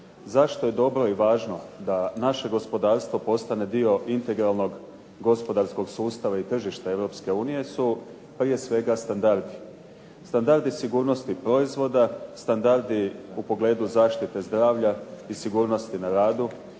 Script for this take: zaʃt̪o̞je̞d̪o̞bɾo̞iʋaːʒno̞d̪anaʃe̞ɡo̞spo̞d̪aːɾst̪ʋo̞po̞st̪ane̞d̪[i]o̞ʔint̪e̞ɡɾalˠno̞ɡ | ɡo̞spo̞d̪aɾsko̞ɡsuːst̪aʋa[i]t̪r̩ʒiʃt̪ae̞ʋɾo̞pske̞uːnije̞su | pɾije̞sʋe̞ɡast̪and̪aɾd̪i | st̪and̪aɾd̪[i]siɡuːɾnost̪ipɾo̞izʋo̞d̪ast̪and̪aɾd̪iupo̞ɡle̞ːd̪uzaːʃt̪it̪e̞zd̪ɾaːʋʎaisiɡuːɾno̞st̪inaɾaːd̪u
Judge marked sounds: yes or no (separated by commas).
yes, yes, yes